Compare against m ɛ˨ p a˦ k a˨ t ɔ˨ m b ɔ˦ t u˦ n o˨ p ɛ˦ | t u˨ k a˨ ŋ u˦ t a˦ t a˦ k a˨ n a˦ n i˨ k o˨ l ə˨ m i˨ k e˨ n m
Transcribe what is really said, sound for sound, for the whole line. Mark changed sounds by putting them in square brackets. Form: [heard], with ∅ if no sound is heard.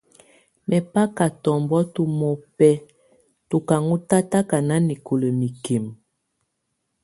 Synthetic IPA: m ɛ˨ p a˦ k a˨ t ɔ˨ m b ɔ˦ t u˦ [m] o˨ p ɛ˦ | t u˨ k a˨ ŋ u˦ t a˦ t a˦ k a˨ n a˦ n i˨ k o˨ l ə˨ m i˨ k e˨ [∅] m